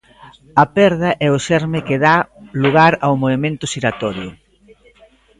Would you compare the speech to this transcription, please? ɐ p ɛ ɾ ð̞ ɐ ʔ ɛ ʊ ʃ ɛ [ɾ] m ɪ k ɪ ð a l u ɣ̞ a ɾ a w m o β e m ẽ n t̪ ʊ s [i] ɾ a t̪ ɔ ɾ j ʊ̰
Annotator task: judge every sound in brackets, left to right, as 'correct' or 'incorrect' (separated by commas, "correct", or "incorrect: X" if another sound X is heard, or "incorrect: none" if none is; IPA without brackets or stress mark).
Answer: correct, correct